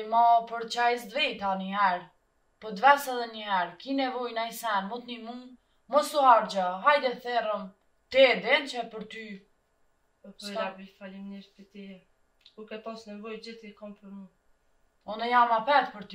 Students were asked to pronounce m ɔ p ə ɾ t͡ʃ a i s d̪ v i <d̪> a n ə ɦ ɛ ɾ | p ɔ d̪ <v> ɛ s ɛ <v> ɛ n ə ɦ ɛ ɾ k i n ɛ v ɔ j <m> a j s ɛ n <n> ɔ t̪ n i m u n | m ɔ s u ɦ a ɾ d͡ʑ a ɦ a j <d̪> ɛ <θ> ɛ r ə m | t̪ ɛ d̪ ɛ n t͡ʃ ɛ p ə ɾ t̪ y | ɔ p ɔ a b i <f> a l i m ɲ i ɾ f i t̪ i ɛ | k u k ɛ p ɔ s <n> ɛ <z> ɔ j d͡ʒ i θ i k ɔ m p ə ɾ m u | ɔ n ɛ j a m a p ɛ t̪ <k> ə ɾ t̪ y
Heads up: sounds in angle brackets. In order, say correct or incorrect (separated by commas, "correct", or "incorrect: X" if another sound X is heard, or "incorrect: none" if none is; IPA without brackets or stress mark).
incorrect: t̪, correct, incorrect: ð, incorrect: n, incorrect: m, correct, correct, correct, correct, incorrect: v, incorrect: p